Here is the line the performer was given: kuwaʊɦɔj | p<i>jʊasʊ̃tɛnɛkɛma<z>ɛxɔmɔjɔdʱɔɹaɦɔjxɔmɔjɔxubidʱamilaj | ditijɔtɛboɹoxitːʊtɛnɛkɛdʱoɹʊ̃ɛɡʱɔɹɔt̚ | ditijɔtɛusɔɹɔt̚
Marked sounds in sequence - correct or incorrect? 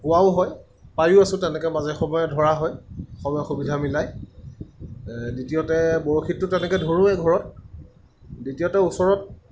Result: incorrect, correct

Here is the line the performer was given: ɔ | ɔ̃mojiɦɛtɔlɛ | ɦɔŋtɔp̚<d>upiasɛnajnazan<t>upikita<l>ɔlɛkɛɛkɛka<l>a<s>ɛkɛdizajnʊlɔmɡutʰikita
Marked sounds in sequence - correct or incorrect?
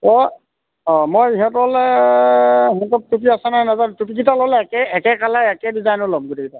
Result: incorrect, correct, correct, correct, incorrect

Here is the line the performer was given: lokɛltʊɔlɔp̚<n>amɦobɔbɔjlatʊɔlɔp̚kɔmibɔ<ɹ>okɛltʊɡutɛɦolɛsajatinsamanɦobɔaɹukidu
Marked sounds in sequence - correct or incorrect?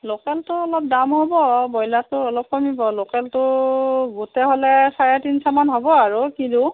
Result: incorrect, incorrect

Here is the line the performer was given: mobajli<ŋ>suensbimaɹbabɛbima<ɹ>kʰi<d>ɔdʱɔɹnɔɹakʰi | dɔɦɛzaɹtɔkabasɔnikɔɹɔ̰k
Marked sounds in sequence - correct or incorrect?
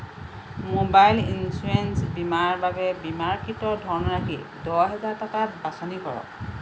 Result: incorrect, correct, incorrect

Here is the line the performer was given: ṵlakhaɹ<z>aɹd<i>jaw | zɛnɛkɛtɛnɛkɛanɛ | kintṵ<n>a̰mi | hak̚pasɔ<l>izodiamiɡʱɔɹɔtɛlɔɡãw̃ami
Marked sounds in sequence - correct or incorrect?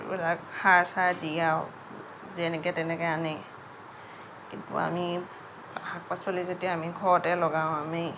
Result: incorrect, correct, incorrect, correct

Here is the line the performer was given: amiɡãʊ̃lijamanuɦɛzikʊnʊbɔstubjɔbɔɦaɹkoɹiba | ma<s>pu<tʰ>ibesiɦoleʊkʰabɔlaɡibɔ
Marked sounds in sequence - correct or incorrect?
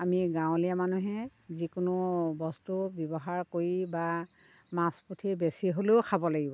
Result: correct, correct

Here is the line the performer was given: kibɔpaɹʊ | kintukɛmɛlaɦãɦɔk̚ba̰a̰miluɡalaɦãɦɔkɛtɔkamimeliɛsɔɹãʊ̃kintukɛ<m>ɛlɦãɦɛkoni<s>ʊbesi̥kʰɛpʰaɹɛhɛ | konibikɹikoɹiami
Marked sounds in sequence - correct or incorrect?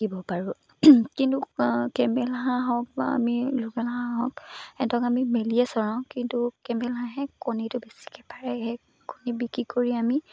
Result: correct, incorrect

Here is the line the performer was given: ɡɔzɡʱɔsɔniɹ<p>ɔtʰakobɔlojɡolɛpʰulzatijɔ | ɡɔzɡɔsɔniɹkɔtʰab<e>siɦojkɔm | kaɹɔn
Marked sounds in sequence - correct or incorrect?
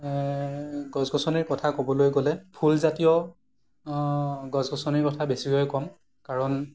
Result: incorrect, correct

